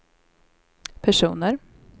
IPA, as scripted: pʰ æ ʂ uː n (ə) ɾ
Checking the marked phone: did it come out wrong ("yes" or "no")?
no